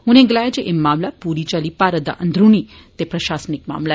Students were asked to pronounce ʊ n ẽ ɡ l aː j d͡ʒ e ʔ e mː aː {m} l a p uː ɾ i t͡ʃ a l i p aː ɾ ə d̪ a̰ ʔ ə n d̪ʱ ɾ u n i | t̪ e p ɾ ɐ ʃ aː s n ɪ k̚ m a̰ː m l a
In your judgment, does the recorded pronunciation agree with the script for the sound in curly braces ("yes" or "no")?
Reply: yes